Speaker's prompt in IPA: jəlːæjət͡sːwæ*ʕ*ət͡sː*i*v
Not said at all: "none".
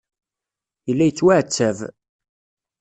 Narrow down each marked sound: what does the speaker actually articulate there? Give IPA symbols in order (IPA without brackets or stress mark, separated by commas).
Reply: ʕ, æ